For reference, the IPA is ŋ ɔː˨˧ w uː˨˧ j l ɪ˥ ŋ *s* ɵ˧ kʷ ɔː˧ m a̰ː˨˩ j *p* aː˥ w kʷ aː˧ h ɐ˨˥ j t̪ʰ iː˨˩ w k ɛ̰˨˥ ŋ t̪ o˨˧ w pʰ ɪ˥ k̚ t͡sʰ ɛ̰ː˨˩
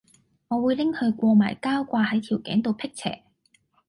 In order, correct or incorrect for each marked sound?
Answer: incorrect: h, incorrect: k

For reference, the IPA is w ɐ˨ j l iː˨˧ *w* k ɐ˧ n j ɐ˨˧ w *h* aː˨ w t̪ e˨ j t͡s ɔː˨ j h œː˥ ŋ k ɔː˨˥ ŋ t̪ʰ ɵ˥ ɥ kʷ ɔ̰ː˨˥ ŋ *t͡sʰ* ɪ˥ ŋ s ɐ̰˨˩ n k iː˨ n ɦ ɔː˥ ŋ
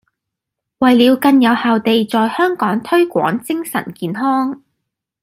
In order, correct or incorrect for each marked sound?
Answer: correct, correct, incorrect: t͡s

